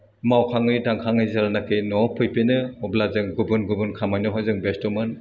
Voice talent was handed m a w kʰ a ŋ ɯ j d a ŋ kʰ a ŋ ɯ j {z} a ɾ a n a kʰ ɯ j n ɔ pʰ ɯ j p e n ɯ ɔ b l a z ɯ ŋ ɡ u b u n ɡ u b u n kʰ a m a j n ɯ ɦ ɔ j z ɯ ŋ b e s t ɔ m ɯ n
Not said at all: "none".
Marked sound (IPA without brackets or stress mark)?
z